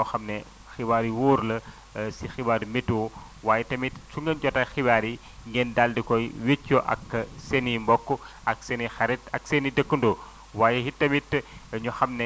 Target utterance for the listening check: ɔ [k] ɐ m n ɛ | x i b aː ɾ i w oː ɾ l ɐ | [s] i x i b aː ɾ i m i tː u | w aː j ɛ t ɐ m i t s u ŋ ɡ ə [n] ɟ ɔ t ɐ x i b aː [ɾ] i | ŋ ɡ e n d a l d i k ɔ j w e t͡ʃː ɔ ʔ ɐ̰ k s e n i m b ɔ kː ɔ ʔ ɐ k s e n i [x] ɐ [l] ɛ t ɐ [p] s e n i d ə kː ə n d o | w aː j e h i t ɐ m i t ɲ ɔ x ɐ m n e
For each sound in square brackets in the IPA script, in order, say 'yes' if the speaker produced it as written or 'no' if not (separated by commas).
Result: no, yes, yes, yes, yes, no, no